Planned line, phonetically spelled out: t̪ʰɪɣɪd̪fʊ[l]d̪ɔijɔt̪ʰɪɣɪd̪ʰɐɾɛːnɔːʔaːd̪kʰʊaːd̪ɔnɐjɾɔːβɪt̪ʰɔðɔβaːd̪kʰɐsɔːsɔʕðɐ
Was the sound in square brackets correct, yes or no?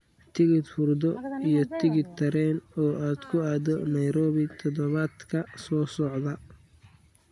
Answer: no